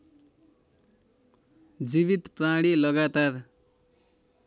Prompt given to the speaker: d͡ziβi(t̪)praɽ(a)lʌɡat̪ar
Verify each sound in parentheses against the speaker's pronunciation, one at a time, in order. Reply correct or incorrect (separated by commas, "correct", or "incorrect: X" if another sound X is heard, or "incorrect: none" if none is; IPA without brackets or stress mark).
correct, incorrect: i